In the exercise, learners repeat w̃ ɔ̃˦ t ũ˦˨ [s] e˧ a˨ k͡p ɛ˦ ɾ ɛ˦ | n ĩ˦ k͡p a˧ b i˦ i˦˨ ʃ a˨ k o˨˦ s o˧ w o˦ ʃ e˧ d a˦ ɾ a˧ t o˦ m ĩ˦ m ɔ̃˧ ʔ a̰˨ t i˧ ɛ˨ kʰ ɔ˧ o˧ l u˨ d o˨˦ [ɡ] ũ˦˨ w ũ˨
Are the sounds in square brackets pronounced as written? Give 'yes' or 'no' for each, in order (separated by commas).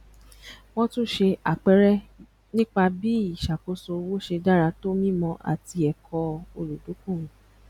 no, no